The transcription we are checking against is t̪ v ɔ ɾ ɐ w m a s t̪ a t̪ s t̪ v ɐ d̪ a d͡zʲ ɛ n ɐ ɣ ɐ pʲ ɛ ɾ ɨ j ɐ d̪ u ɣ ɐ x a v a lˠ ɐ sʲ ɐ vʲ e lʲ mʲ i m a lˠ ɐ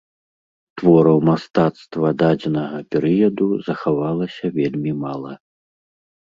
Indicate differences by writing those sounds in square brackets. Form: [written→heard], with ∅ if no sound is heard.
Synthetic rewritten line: t̪ v ɔ ɾ ɐ w m a s t̪ a t̪ s t̪ v ɐ d̪ a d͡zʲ ɛ n ɐ ɣ ɐ pʲ ɛ ɾ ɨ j ɐ d̪ u [ɣ→z] ɐ x a v a lˠ ɐ sʲ ɐ vʲ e lʲ mʲ i m a lˠ ɐ